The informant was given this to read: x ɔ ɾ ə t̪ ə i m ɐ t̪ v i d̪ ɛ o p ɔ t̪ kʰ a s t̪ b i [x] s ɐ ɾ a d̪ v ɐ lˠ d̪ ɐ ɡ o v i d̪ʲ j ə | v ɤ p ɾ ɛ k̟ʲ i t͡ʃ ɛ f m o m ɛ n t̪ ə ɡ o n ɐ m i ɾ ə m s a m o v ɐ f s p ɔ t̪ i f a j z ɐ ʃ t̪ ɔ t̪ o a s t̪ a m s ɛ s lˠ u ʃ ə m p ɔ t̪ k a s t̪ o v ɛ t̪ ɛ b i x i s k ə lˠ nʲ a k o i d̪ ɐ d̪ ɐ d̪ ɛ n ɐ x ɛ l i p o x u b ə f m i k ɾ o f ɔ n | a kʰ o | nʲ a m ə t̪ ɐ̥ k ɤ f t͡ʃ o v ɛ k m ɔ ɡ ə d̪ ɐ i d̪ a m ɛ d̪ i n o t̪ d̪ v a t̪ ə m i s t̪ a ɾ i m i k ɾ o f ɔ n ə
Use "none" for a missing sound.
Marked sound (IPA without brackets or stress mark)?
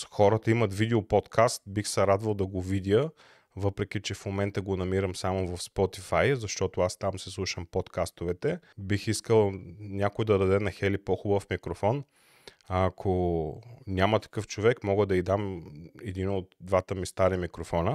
x